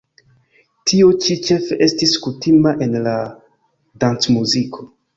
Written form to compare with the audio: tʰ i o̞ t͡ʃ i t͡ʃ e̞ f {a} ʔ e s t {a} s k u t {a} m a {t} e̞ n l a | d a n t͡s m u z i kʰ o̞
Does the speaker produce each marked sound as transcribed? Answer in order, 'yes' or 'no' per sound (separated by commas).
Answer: no, no, no, no